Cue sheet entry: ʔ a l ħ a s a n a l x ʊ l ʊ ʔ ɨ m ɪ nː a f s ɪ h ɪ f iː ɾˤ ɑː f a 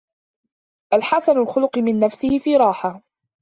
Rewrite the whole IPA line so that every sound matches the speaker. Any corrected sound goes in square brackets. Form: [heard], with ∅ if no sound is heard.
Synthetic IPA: ʔ a l ħ a s a n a l x ʊ l ʊ [q] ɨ m ɪ nː a f s ɪ h ɪ f iː ɾˤ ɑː [ħ] a